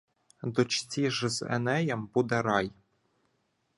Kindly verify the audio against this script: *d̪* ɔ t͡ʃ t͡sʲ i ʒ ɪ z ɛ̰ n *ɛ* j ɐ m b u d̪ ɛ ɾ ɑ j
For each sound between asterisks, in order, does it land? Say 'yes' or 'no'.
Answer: yes, yes

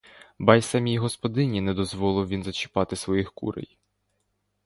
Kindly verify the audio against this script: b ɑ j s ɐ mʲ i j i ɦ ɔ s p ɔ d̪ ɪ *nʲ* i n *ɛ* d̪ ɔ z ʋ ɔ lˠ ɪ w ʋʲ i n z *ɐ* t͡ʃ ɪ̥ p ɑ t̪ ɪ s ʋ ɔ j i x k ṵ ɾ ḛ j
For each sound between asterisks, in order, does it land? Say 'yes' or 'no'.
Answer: yes, yes, yes

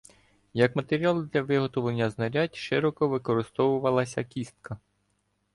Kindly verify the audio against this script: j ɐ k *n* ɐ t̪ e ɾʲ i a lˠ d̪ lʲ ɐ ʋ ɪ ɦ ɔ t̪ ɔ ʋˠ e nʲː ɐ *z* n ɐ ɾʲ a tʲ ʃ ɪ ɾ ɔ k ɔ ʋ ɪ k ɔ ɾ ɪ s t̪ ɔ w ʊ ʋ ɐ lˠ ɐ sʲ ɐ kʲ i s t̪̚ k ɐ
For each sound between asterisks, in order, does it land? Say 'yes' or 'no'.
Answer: no, yes

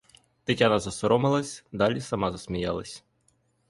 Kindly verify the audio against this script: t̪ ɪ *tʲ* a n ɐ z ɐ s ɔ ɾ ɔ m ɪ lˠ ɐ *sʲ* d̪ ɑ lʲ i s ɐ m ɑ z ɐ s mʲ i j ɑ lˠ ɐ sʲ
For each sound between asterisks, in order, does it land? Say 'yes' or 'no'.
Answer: yes, yes

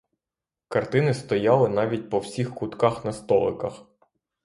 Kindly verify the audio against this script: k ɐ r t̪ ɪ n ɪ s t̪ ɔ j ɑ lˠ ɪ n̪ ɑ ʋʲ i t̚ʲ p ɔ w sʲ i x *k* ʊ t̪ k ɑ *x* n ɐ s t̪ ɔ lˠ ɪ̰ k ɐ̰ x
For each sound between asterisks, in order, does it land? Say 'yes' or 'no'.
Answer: yes, yes

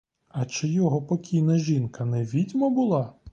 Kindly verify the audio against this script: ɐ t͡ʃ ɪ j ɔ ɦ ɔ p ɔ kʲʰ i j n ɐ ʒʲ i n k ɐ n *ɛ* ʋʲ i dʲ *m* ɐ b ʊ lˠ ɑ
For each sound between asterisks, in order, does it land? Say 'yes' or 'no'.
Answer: yes, yes

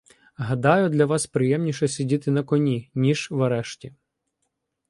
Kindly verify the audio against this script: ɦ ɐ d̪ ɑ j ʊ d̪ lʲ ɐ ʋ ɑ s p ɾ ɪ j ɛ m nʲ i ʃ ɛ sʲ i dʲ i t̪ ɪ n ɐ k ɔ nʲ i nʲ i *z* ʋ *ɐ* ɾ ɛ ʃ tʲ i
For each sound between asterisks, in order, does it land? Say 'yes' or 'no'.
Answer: no, yes

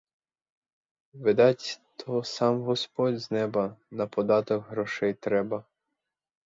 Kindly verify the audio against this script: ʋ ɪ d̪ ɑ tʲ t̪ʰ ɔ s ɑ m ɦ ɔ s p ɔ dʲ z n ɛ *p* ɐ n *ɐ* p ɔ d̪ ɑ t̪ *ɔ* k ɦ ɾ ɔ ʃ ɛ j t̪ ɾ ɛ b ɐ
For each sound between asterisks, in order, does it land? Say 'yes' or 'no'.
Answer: no, yes, yes

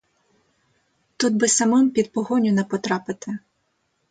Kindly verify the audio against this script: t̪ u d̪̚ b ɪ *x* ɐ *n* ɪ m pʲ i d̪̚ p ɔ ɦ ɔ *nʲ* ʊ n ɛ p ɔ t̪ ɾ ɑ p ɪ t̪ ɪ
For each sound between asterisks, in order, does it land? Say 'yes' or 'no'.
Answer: no, no, yes

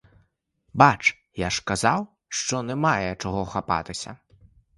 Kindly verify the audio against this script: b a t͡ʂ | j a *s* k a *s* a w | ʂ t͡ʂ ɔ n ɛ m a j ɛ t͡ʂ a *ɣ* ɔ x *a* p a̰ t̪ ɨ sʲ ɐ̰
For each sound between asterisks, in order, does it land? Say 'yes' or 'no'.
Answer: no, no, yes, yes

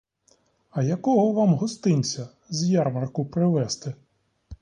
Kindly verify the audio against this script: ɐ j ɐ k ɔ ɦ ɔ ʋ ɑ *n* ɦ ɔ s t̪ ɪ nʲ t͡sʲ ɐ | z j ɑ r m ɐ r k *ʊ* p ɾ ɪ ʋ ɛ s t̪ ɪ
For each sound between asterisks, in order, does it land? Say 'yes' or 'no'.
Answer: no, yes

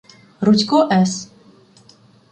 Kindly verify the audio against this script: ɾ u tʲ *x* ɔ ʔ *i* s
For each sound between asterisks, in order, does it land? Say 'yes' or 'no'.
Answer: no, no

